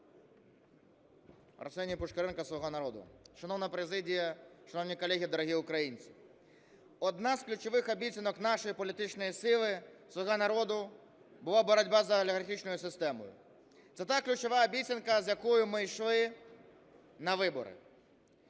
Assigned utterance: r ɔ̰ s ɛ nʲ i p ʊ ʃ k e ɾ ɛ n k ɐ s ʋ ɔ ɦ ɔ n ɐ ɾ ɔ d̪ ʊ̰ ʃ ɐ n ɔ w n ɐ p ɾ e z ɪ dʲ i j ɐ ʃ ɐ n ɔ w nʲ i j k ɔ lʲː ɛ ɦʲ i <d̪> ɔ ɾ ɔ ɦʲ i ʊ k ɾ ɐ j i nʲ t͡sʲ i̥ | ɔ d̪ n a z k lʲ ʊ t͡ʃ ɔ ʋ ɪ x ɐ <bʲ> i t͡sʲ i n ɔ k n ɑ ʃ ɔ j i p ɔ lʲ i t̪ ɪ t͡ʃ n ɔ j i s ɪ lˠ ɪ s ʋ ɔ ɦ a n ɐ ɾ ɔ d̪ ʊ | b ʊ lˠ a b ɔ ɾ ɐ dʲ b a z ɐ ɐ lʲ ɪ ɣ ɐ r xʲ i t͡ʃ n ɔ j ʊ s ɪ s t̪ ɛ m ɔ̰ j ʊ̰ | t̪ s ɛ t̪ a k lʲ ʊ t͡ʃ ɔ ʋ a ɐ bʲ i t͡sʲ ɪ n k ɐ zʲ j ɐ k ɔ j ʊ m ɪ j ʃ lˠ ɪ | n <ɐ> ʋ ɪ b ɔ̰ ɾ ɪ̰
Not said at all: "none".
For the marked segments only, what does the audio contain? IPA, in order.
d̪, bʲ, ɐ

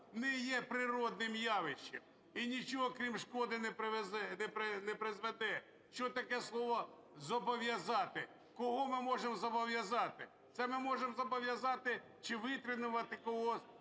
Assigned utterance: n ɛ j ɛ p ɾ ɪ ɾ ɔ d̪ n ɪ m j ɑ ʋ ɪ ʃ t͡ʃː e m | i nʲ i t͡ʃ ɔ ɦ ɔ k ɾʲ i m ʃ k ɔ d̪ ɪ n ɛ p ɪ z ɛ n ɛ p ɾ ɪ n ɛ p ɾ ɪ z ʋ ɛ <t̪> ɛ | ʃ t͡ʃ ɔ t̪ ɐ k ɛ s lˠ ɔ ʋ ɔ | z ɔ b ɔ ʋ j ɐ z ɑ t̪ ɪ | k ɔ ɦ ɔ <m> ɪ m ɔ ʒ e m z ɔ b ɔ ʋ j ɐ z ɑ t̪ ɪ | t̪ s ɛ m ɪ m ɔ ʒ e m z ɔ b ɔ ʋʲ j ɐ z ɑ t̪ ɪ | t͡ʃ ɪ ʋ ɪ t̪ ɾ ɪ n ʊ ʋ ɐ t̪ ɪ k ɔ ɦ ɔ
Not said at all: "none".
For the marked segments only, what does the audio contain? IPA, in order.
d̪, m

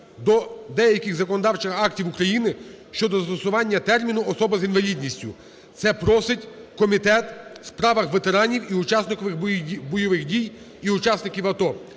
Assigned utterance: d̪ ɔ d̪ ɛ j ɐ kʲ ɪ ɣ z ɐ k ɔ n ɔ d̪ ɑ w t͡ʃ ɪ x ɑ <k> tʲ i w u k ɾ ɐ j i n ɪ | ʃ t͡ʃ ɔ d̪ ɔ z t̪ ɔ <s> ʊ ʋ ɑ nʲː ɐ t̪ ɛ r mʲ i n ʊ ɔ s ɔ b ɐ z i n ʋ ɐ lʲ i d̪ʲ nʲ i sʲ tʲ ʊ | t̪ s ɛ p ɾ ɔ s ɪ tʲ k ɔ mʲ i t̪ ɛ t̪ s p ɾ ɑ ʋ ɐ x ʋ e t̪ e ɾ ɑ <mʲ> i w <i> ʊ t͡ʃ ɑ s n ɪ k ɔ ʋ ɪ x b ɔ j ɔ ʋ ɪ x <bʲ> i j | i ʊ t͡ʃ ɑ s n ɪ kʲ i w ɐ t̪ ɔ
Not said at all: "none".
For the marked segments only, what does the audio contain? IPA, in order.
k, s, nʲ, i, dʲ

